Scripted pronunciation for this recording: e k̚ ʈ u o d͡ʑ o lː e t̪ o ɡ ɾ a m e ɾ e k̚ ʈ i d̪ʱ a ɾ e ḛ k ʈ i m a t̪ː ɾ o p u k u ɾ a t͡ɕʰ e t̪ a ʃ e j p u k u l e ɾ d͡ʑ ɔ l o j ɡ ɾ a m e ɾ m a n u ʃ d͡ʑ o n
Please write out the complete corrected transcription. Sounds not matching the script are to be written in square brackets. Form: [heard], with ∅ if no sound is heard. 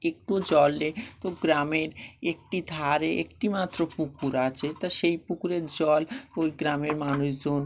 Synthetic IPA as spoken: e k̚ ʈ u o d͡ʑ [ɔ] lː e t̪ o ɡ ɾ a m e ɾ e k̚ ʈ i d̪ʱ a ɾ e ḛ k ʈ i m a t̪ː ɾ o p u k u ɾ a t͡ɕʰ e t̪ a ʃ e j p u k u [ɾ] e ɾ d͡ʑ ɔ l o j ɡ ɾ a m e ɾ m a n u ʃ d͡ʑ o n

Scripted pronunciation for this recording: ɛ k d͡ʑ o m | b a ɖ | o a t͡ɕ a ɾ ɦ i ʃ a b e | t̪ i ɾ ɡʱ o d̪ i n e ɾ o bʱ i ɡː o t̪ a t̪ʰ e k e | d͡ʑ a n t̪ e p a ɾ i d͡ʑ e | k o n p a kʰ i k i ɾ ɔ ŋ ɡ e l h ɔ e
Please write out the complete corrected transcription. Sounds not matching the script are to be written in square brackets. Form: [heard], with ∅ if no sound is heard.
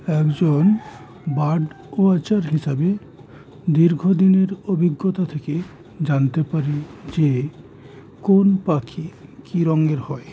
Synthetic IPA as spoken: ɛ k d͡ʑ o [n] | b a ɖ | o a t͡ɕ a ɾ ɦ i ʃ a b e | [d̪] i ɾ ɡʱ o d̪ i n e ɾ o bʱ i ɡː o t̪ a t̪ʰ e k e | d͡ʑ a n t̪ e p a ɾ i d͡ʑ e | k o n p a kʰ i k i ɾ ɔ ŋ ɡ e [ɾ] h ɔ e

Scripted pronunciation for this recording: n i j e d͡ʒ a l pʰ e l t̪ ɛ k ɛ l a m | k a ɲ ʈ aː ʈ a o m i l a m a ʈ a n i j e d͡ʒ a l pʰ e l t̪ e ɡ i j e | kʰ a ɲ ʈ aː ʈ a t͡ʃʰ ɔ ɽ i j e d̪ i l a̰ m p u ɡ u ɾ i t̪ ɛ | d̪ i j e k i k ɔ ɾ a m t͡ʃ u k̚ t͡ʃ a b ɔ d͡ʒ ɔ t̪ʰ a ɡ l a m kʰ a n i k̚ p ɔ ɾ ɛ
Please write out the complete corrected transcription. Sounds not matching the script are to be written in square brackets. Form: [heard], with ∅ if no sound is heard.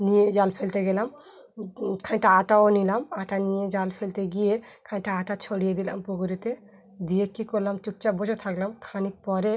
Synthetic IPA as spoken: n i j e d͡ʒ a l pʰ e l t̪ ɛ [ɡ] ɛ l a m | [kʰ] a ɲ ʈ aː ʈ a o [n] i l a m a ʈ a n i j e d͡ʒ a l pʰ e l t̪ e ɡ i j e | kʰ a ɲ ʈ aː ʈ a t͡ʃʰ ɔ ɽ i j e d̪ i l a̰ m p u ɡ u ɾ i t̪ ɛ | d̪ i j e k i k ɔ [l] a m t͡ʃ u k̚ t͡ʃ a b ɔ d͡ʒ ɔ t̪ʰ a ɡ l a m kʰ a n i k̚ p ɔ ɾ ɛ

